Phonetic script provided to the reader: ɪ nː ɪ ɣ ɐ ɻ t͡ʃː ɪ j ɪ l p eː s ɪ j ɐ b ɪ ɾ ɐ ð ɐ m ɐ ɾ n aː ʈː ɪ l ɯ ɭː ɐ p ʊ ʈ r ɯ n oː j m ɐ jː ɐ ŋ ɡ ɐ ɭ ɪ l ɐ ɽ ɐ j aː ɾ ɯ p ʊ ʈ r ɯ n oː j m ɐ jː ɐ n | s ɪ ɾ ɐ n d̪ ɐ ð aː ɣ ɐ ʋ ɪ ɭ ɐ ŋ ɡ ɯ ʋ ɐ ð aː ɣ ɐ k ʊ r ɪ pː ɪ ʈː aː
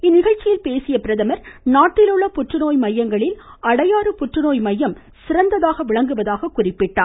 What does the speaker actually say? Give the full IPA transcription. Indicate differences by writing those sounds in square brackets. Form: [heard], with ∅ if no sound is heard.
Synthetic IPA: ɪ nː ɪ ɣ ɐ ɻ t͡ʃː ɪ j ɪ l p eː s ɪ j ɐ [p] ɪ ɾ ɐ ð ɐ m ɐ ɾ n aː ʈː ɪ l ɯ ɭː ɐ p ʊ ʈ r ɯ n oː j m ɐ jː ɐ ŋ ɡ ɐ ɭ ɪ l ɐ ɽ ɐ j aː ɾ ɯ p ʊ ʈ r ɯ n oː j m ɐ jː ɐ [m] | s ɪ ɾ ɐ n d̪ ɐ ð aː ɣ ɐ ʋ ɪ ɭ ɐ ŋ ɡ ɯ ʋ ɐ ð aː ɣ ɐ k ʊ r ɪ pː ɪ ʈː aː

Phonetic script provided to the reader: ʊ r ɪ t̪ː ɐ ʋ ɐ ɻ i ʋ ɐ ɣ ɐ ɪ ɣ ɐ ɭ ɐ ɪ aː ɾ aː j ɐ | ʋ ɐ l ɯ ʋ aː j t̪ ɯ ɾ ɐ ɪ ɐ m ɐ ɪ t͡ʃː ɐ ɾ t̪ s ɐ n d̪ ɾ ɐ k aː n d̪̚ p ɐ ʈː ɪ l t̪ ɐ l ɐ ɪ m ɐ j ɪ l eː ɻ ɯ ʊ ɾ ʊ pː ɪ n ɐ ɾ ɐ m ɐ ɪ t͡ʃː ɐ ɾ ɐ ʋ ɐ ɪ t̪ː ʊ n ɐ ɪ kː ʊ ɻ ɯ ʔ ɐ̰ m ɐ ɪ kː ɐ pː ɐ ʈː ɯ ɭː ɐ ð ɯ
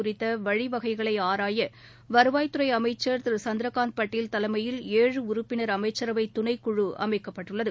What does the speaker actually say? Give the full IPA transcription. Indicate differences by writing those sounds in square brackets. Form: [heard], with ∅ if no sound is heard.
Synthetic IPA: ʊ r ɪ t̪ː ɐ ʋ ɐ ɻ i ʋ ɐ ɣ ɐ ɪ ɣ ɐ ɭ ɐ ɪ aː ɾ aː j ɐ | ʋ ɐ [ɾ] ɯ ʋ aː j t̪ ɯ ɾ ɐ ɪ ɐ m ɐ ɪ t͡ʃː ɐ ɾ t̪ s ɐ n d̪ ɾ ɐ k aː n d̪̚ p ɐ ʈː ɪ l t̪ ɐ l ɐ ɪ m ɐ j ɪ l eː ɻ ɯ ʊ ɾ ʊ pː ɪ n ɐ ɾ ɐ m ɐ ɪ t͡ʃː ɐ ɾ ɐ ʋ ɐ ɪ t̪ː ʊ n ɐ ɪ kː ʊ ɻ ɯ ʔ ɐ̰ m ɐ ɪ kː ɐ pː ɐ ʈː ɯ ɭː ɐ ð ɯ

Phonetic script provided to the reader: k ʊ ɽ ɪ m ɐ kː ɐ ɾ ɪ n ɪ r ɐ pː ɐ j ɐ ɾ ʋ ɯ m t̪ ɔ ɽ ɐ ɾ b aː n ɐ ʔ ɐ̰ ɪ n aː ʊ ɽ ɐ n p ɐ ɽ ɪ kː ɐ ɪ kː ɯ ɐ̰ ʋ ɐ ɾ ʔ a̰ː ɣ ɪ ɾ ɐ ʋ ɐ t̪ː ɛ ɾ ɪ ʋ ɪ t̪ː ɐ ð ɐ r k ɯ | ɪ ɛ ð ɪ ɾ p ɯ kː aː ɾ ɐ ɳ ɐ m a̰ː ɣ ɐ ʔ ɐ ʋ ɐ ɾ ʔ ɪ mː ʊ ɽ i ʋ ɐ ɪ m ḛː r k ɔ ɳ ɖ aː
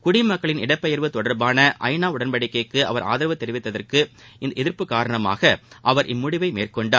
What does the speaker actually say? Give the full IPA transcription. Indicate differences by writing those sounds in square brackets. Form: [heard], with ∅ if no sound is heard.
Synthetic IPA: k ʊ ɽ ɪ m ɐ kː ɐ [ɭ] ɪ n ɪ [ɽ] ɐ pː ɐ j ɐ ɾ ʋ ɯ [∅] t̪ ɔ ɽ ɐ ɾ b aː n ɐ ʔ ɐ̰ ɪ n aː ʊ ɽ ɐ n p ɐ ɽ ɪ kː ɐ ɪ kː ɯ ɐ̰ ʋ ɐ ɾ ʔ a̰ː [ð] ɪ ɾ ɐ ʋ ɐ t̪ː ɛ ɾ ɪ ʋ ɪ t̪ː ɐ ð ɐ r k ɯ | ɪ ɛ ð ɪ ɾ p ɯ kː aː ɾ ɐ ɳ ɐ m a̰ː ɣ ɐ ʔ ɐ ʋ ɐ ɾ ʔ ɪ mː ʊ ɽ [ɪ] ʋ ɐ ɪ m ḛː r k ɔ ɳ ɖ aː

